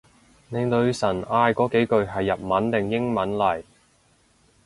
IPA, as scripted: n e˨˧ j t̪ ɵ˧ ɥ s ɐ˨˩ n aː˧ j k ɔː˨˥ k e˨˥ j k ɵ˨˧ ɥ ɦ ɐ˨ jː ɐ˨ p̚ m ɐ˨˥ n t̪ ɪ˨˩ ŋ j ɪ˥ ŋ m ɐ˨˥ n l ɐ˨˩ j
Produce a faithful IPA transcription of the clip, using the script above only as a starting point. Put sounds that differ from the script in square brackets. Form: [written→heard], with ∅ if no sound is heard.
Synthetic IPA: n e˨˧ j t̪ ɵ˧ ɥ s ɐ˨˩ n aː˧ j k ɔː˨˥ k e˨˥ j k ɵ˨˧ ɥ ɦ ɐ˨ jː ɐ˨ p̚ m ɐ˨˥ n t̪ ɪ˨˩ ŋ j ɪ˥ ŋ m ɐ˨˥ n l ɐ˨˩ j